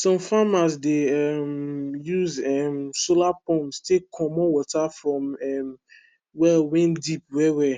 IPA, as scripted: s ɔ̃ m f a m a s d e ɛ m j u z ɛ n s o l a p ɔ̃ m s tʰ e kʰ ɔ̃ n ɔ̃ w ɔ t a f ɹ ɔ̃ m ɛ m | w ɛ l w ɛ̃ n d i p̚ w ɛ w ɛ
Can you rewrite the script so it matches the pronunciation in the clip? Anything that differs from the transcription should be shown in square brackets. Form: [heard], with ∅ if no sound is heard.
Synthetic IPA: s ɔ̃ m f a m a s d e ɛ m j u z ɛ [m] s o l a p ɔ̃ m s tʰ e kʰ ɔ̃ [m] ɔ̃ w ɔ t a f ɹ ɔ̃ m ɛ m | w ɛ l w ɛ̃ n d i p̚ w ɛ w ɛ